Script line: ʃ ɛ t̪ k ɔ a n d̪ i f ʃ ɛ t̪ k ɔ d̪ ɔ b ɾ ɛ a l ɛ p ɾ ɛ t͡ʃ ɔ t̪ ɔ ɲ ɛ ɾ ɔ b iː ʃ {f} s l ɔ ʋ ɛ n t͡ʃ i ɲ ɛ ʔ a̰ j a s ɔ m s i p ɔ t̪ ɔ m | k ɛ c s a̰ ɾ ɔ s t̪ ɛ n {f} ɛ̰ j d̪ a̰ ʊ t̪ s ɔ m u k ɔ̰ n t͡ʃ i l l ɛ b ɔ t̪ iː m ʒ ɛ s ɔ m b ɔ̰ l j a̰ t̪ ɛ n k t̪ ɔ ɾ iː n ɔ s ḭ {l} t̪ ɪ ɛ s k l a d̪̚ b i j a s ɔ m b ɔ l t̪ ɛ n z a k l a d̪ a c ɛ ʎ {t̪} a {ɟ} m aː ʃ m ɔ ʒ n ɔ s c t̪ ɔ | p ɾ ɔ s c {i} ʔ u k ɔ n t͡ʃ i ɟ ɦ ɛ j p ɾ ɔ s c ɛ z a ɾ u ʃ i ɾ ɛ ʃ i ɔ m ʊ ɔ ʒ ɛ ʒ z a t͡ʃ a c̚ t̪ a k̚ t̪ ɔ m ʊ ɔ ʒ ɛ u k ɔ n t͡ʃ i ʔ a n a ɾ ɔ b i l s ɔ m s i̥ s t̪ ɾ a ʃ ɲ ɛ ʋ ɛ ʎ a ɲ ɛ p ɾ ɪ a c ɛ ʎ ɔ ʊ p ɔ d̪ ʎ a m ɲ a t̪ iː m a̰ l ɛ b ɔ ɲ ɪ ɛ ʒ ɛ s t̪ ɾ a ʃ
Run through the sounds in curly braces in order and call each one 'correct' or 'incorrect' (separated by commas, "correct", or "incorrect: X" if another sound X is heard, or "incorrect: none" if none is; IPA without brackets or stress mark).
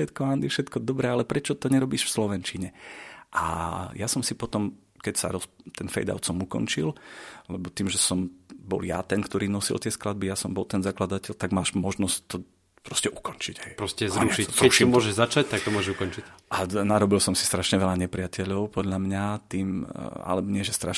correct, correct, correct, correct, incorrect: ɡ, incorrect: ɛ